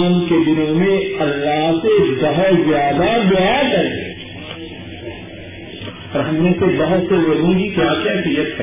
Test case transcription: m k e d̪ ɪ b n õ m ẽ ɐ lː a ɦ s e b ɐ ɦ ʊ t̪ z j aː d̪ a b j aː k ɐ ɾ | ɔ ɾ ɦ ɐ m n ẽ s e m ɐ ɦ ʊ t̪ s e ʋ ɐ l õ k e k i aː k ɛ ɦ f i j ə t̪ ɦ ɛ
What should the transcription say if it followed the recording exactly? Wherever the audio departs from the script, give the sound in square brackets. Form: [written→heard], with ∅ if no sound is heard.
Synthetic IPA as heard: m k e d̪ ɪ [b→∅] n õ m ẽ ɐ lː a ɦ s e b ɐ ɦ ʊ t̪ z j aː d̪ a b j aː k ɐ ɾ | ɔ ɾ ɦ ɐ m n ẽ s e [m→b] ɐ ɦ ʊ t̪ s e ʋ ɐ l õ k [e→i] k [i→j] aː k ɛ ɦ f i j ə t̪ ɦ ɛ